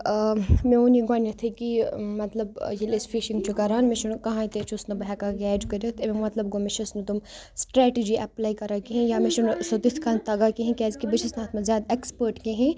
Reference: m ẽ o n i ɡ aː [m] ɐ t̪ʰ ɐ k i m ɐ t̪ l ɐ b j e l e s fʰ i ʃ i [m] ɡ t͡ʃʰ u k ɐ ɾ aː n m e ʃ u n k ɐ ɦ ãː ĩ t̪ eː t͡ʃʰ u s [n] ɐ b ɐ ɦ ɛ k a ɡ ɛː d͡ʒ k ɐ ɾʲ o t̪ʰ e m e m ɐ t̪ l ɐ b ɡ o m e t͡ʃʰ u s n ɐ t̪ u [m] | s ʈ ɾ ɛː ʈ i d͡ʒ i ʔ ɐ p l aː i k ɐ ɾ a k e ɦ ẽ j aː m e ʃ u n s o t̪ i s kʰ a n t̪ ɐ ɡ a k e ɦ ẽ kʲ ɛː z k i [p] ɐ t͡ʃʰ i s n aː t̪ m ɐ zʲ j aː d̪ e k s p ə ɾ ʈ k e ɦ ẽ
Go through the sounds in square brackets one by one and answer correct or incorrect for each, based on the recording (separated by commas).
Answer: incorrect, incorrect, correct, correct, incorrect